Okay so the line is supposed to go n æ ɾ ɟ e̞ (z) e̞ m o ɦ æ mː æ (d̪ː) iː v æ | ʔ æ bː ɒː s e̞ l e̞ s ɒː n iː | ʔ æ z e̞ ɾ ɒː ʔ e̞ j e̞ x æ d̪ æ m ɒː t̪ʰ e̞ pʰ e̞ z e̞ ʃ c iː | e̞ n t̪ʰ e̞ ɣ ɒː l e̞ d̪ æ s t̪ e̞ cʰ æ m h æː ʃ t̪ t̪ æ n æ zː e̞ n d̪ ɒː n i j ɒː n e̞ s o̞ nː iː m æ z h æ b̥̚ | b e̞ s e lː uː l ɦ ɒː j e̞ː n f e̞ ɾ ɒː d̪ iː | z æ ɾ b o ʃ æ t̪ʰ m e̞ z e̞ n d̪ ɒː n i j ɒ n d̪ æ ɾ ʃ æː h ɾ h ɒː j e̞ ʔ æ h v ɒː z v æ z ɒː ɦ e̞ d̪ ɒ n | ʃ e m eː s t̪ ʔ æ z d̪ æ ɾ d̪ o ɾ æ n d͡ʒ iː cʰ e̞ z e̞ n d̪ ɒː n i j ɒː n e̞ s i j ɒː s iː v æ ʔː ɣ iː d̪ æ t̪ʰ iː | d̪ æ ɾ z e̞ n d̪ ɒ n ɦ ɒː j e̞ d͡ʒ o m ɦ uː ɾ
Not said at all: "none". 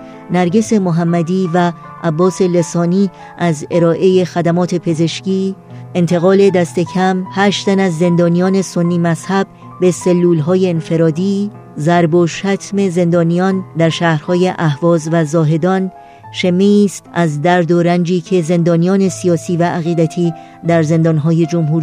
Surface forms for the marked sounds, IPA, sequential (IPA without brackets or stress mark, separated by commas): s, d̪